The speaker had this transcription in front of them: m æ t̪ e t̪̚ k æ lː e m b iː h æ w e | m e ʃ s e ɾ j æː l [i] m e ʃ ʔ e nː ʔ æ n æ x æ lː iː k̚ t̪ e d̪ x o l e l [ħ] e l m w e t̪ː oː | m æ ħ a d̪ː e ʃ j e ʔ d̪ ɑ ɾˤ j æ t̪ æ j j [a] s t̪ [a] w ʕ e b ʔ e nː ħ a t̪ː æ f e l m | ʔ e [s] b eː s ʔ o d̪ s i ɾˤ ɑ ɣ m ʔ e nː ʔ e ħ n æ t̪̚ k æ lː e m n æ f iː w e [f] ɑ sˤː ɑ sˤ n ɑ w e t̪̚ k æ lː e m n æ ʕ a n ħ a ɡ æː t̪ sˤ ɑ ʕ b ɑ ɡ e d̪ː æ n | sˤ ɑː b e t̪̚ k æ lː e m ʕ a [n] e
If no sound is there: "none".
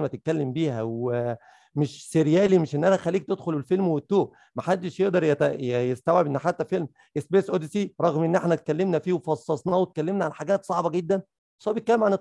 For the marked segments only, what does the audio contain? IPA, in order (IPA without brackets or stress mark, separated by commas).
i, f, e, æ, s, f, n